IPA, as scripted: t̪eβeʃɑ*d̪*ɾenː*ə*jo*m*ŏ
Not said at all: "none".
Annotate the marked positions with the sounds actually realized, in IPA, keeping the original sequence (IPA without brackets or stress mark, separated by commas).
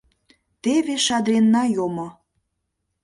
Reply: d̪, ɑ, m